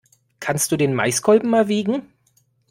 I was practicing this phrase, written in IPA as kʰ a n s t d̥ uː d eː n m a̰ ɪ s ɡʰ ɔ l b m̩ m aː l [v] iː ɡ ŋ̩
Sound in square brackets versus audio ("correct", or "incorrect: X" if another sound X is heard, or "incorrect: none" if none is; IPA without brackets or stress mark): correct